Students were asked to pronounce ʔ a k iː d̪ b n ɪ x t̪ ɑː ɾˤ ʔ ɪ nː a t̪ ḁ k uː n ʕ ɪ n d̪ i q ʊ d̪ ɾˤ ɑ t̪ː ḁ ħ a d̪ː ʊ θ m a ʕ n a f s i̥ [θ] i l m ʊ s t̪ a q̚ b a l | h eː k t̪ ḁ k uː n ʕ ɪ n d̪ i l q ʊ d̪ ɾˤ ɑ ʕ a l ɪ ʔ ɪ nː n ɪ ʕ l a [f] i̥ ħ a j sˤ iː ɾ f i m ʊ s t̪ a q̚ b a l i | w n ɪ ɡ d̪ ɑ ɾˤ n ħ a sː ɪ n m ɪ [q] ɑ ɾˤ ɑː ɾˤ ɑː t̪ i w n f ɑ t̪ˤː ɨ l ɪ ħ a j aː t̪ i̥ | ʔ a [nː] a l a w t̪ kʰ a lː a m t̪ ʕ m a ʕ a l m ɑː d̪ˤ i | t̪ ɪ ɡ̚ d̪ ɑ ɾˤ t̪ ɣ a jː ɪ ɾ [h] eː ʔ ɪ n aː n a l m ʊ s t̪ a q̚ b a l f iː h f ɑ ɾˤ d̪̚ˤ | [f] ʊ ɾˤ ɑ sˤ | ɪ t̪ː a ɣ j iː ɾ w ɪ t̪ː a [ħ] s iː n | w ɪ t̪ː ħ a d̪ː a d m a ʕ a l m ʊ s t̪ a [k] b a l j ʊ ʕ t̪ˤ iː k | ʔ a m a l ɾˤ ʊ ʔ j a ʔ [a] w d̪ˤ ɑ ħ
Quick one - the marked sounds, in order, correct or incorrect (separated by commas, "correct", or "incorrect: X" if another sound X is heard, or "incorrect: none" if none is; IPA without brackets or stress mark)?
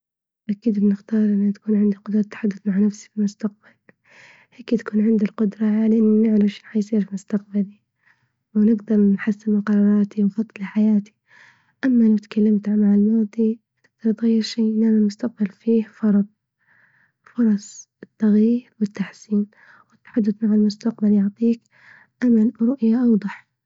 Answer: incorrect: f, incorrect: ʃ, correct, incorrect: mː, incorrect: ʃ, correct, correct, incorrect: q, incorrect: ɑ